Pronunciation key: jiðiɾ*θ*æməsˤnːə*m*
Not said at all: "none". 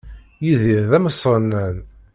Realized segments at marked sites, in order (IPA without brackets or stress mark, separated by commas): ð, n